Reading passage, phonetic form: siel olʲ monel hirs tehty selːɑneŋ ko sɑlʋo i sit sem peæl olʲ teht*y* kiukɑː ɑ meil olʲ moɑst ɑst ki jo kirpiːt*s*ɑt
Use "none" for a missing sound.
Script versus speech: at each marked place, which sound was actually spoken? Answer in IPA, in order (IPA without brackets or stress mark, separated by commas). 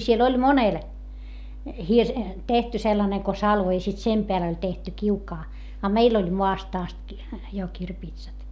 y, s